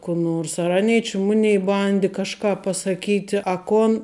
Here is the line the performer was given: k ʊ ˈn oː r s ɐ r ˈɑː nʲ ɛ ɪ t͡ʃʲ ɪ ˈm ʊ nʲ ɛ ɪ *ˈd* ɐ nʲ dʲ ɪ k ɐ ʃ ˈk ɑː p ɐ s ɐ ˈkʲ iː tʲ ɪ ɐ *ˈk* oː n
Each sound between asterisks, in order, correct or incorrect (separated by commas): incorrect, correct